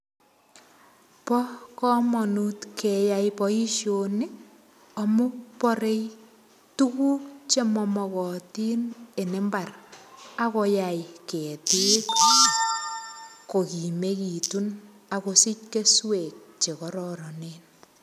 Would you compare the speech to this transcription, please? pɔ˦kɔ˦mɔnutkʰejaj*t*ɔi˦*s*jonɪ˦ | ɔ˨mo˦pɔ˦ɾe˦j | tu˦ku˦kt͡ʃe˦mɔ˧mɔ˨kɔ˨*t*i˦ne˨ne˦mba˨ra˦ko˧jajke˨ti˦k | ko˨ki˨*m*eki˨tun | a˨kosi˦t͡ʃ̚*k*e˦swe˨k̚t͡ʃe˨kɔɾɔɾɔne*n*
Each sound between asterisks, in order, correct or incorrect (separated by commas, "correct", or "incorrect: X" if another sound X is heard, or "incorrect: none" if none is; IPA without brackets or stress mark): incorrect: p, incorrect: ʃ, correct, correct, correct, correct